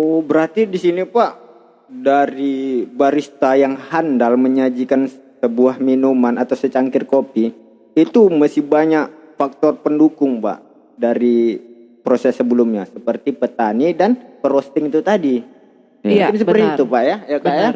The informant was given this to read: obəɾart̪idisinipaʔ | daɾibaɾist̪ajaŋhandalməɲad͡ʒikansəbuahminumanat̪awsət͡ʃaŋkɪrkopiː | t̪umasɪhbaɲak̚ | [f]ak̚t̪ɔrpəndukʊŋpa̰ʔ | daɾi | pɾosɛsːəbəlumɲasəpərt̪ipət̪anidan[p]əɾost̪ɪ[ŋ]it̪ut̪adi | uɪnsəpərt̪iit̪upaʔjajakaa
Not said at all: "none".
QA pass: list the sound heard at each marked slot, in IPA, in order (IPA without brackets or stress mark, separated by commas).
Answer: f, p, ŋ